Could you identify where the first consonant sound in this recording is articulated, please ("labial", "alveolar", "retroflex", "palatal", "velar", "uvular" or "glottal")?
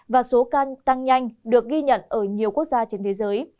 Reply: labial